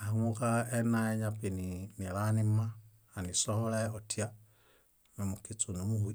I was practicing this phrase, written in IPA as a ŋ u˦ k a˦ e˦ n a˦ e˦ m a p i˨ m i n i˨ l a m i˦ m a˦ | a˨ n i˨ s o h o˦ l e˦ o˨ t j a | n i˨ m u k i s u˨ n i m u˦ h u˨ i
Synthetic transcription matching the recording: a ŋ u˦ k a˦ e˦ n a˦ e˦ ɲ a p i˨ n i n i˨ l a n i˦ m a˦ | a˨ n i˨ s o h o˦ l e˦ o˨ t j a | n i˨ m u k i t͡s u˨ n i m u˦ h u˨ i